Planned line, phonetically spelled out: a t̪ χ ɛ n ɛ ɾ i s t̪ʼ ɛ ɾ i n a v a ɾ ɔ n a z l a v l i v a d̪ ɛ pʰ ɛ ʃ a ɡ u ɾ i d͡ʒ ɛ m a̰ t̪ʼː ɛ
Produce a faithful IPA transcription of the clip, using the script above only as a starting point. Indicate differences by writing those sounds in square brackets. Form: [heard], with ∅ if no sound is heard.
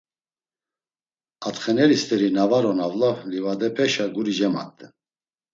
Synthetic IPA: a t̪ χ ɛ n ɛ ɾ i s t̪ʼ ɛ ɾ i n a v a ɾ ɔ n a [v] l a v l i v a d̪ ɛ pʰ ɛ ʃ a ɡ u ɾ i d͡ʒ ɛ m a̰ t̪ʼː ɛ

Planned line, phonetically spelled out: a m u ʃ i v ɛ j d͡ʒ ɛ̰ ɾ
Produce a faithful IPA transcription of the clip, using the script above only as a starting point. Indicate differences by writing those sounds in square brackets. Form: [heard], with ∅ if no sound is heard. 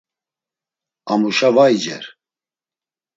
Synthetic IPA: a m u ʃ [a] v [a] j d͡ʒ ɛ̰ ɾ

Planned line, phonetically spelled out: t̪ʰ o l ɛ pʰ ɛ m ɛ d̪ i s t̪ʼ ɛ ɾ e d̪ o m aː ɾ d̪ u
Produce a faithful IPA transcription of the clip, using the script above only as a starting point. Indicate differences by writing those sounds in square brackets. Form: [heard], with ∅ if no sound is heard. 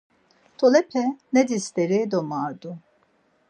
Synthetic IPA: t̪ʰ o l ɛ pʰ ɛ [n] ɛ d̪ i s [t̪] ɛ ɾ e d̪ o m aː ɾ d̪ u

